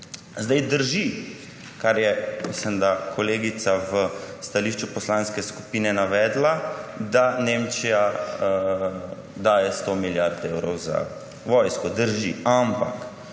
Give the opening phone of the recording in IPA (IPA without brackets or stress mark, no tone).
z